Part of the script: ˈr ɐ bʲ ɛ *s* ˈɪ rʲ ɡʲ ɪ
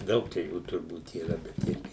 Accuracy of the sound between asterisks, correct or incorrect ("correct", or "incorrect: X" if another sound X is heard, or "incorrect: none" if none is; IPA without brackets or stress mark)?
incorrect: t